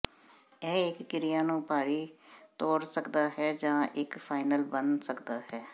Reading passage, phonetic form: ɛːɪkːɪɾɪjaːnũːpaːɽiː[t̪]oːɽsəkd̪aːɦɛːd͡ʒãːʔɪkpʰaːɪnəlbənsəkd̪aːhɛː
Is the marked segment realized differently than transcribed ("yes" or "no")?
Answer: no